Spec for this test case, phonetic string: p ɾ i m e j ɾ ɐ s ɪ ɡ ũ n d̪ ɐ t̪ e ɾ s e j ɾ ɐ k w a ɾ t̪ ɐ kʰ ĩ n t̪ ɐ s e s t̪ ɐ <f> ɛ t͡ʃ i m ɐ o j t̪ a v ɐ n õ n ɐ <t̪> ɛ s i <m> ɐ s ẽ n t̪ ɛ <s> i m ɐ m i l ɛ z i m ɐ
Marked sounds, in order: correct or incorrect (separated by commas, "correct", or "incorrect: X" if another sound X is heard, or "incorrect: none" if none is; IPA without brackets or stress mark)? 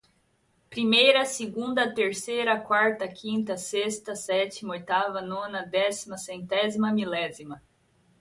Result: incorrect: s, incorrect: d̪, correct, incorrect: z